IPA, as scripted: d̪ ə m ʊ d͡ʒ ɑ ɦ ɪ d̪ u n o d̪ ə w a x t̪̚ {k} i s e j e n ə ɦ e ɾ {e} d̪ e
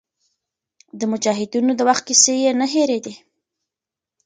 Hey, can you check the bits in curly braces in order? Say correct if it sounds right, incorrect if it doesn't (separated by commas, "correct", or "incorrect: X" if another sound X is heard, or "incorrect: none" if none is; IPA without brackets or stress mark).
correct, correct